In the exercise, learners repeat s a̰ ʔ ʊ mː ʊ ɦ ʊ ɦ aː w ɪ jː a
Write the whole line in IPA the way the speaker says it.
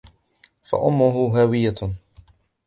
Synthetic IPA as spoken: f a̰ ʔ ʊ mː ʊ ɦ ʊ ɦ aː w ɪ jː a